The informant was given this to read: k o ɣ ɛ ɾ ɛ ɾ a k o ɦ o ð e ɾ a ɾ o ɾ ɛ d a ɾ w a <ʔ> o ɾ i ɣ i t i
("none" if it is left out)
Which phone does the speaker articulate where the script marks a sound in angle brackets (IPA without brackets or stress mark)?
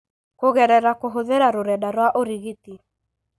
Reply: ʔ